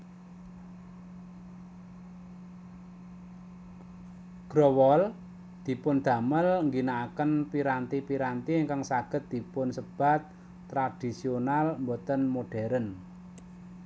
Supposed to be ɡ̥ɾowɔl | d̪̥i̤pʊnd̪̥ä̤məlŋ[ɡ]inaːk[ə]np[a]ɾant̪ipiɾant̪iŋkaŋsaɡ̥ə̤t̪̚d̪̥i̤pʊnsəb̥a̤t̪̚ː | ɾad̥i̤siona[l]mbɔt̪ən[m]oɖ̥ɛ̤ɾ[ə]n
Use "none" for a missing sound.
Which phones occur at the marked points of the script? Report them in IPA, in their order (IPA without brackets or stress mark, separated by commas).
ɡ, ə, i, l, m, ə